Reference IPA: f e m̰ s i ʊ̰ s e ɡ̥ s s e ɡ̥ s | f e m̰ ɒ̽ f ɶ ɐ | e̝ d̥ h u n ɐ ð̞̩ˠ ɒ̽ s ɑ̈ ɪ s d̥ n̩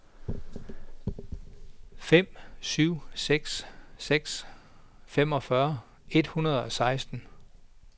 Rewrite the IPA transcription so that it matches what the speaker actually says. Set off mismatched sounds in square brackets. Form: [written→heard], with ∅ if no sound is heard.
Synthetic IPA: f e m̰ s [i→y] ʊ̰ s e ɡ̥ s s e ɡ̥ s | f e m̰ ɒ̽ f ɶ ɐ | e̝ d̥ h u n ɐ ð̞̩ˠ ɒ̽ s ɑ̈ ɪ s d̥ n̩